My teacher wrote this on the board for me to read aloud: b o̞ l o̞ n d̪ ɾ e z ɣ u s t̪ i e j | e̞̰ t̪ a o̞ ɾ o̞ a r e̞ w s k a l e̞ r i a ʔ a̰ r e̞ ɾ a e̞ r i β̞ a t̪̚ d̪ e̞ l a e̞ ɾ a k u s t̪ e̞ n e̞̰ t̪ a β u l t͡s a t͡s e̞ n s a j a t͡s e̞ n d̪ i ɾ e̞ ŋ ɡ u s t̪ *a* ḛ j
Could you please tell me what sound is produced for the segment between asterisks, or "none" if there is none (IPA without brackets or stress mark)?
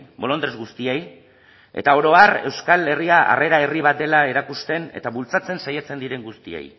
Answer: i